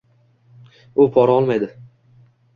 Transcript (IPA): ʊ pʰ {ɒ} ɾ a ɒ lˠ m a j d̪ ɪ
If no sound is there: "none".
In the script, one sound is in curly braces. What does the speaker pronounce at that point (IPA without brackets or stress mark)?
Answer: ɒ